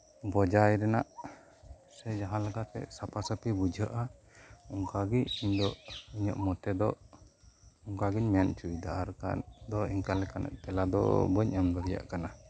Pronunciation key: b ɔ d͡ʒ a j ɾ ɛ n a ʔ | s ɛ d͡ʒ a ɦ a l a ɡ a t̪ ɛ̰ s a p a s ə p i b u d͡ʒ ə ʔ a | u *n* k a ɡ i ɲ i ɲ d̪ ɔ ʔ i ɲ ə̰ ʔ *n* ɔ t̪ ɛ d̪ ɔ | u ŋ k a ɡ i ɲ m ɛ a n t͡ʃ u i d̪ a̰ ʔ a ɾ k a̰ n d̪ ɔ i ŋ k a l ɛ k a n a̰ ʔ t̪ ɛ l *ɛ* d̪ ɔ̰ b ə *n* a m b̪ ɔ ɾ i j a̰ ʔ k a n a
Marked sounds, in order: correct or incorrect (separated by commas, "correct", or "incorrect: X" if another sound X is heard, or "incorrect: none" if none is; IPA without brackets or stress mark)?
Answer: incorrect: ŋ, incorrect: m, incorrect: a, incorrect: ɲ